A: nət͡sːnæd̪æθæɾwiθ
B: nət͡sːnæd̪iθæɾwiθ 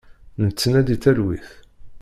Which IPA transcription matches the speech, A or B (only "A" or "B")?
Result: B